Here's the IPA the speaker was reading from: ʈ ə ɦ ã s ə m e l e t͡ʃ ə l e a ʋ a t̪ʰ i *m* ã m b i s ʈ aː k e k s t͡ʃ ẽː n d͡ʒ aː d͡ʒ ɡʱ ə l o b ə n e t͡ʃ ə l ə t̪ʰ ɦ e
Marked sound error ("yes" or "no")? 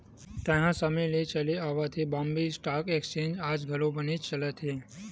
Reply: yes